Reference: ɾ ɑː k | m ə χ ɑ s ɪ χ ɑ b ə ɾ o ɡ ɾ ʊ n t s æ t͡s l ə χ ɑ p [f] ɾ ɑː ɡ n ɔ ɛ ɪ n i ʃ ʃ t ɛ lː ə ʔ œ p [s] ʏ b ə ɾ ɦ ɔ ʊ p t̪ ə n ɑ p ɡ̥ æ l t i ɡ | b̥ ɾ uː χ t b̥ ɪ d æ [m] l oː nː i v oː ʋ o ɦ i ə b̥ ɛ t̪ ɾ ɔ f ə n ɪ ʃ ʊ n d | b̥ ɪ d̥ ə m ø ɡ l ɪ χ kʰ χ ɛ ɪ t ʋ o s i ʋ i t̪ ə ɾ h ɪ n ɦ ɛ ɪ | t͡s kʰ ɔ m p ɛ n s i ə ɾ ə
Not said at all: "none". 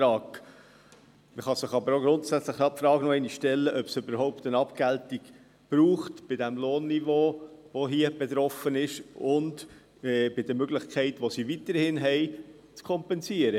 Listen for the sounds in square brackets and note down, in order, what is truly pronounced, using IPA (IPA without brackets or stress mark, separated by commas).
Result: f, s, m